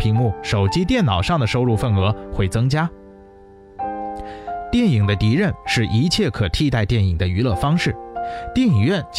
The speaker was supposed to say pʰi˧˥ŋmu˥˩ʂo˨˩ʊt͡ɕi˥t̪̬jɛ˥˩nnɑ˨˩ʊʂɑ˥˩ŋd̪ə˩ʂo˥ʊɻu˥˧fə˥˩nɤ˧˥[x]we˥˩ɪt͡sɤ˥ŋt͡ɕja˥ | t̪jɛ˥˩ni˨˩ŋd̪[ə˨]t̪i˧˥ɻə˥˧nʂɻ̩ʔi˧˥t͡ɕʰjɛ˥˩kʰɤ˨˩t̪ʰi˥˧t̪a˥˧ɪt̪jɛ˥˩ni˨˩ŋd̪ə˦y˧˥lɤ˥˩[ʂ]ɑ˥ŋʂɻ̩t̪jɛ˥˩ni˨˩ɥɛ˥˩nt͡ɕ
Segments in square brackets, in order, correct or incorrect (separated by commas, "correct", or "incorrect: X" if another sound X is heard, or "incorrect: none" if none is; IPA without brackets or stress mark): correct, incorrect: ə˦, incorrect: f